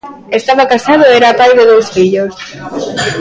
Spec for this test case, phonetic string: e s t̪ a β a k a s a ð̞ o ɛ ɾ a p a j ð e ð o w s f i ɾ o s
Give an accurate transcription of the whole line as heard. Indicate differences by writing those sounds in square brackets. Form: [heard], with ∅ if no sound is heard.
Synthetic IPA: e s t̪ a β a k a s a ð̞ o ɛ ɾ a p a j ð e ð o w s f i [ʎ] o s

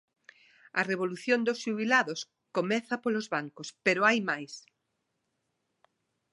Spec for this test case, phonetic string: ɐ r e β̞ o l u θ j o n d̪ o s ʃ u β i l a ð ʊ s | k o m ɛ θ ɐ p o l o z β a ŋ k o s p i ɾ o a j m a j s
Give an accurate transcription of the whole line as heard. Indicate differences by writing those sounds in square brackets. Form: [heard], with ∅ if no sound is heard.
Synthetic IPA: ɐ r e β̞ o l u θ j o n d̪ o s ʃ u β i l a ð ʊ s | k o m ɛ θ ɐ p o l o z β a ŋ k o s p [e] ɾ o a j m a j s

